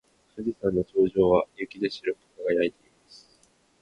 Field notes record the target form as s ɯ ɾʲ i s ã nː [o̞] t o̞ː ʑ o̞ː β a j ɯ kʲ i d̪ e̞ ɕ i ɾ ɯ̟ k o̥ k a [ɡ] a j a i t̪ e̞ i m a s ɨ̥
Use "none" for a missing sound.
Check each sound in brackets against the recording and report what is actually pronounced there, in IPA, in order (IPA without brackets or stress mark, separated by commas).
o̞, ɡ